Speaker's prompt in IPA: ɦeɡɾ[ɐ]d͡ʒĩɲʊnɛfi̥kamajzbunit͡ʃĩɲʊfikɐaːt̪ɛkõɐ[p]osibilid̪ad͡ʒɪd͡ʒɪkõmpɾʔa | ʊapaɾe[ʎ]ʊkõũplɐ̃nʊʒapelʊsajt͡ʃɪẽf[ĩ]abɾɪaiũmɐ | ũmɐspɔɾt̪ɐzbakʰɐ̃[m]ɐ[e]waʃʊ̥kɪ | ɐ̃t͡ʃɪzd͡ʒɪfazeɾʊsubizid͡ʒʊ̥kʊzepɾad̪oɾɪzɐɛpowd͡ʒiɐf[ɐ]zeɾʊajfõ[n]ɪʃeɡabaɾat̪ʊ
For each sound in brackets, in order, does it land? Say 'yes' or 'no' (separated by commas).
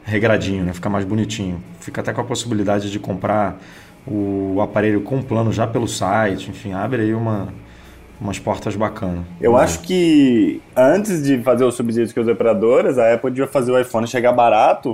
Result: no, yes, yes, yes, no, yes, no, yes